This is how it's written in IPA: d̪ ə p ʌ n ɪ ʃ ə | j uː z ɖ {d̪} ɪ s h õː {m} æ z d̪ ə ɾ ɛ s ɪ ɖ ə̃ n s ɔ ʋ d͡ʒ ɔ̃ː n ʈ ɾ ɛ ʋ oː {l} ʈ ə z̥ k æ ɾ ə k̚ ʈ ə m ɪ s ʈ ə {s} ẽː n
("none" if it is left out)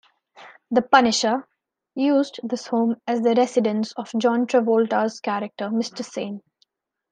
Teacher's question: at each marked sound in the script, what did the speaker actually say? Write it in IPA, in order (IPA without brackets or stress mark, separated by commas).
d̪, m, l, s